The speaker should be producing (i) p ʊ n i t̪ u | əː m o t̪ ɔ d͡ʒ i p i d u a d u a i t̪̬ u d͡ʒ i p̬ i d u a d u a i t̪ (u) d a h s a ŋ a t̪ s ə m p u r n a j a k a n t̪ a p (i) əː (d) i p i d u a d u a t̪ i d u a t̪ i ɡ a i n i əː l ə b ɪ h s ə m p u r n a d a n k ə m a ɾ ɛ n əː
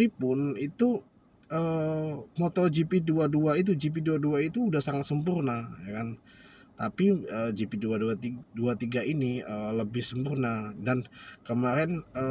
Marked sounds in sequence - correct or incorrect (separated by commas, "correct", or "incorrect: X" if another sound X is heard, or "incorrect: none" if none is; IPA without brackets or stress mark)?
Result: correct, incorrect: uː, correct, incorrect: d͡ʒ